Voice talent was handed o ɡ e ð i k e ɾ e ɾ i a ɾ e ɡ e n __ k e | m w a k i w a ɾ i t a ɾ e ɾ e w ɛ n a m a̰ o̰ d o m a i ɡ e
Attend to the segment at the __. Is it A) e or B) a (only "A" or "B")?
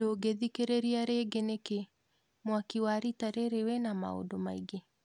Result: A